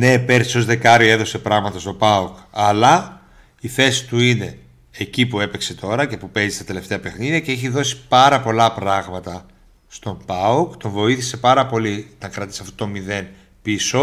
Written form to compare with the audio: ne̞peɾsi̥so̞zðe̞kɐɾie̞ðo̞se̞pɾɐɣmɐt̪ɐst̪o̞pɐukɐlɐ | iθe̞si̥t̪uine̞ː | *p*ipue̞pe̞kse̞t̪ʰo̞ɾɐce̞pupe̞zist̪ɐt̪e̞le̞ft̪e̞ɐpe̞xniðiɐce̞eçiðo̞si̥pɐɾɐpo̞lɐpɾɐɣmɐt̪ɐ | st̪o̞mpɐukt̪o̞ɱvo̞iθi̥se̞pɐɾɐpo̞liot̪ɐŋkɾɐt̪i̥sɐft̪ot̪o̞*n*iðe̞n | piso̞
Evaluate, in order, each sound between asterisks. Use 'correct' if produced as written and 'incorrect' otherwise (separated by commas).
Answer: incorrect, incorrect